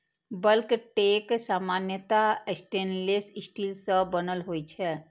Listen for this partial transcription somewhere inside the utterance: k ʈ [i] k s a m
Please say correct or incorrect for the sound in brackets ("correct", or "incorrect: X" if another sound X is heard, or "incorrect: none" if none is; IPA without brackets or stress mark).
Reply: incorrect: e